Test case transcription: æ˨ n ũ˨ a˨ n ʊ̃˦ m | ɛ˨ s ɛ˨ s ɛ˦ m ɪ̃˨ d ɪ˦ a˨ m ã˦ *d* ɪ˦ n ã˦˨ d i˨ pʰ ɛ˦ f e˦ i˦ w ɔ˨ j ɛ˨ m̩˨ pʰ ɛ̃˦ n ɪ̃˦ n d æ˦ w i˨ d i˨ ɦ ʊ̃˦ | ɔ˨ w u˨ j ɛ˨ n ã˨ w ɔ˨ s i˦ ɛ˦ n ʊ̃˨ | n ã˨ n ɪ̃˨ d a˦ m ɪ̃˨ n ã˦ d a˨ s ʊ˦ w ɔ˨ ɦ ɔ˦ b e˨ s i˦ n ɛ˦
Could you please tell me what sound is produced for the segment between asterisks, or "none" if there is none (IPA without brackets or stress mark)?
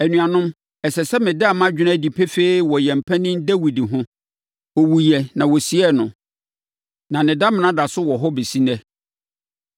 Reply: d͡ʑᶣ